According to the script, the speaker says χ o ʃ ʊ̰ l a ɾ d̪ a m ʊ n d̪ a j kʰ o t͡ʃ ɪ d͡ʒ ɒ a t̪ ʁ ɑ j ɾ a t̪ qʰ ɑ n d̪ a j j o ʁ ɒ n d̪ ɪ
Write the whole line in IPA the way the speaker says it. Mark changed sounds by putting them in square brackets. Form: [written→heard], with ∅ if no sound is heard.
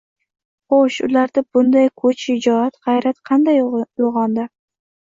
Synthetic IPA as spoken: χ o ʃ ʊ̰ l a ɾ d̪ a [m→b] ʊ n d̪ a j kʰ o t͡ʃ ɪ d͡ʒ ɒ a t̪ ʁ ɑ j ɾ a t̪ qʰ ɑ n d̪ a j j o ʁ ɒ n d̪ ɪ